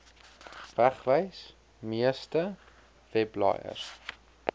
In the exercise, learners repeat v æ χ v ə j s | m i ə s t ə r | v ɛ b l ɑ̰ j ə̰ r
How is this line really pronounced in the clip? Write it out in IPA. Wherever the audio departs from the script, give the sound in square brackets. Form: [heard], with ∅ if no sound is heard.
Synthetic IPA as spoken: v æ χ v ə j s | m i ə s t ə [∅] | v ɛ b l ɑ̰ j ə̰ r